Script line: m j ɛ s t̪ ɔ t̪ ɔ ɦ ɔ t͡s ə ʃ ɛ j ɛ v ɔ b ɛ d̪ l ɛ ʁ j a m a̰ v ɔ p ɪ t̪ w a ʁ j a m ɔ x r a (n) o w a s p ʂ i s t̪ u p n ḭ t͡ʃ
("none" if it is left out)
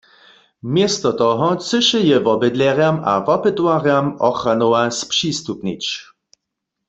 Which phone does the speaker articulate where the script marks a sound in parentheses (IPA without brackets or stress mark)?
n